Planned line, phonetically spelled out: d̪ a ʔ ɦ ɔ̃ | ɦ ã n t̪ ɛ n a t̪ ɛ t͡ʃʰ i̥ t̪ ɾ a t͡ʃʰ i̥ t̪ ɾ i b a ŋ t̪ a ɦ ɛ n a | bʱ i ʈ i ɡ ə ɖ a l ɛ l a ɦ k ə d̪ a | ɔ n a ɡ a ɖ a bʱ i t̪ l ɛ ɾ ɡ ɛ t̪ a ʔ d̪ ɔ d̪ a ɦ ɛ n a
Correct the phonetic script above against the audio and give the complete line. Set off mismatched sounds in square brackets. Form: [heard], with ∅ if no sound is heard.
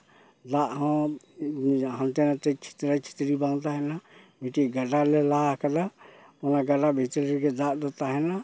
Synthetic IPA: d̪ a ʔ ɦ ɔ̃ | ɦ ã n t̪ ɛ n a t̪ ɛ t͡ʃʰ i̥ t̪ ɾ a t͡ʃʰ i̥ t̪ ɾ i b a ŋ t̪ a ɦ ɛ n a | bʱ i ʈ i ɡ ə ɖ a l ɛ l a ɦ k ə d̪ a | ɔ n a ɡ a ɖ a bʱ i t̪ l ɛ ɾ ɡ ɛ [d̪] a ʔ d̪ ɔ [t̪] a ɦ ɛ n a